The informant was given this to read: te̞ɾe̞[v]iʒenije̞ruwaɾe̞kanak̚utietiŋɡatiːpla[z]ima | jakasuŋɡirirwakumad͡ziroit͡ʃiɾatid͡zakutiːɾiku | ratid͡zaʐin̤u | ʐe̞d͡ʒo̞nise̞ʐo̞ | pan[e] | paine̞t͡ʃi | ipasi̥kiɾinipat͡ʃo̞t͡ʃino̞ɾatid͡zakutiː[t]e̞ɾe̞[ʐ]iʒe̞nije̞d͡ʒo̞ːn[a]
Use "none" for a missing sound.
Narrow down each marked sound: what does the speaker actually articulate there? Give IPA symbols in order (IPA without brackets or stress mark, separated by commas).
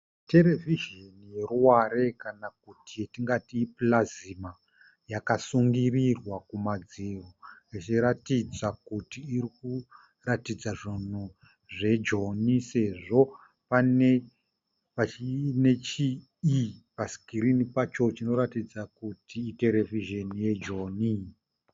v, z, e, t, v, i